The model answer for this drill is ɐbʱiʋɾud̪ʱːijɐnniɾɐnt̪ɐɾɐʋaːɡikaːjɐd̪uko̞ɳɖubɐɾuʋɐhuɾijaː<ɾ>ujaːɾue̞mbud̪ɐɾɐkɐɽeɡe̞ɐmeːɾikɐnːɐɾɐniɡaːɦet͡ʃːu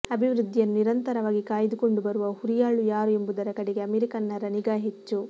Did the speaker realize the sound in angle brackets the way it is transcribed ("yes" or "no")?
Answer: no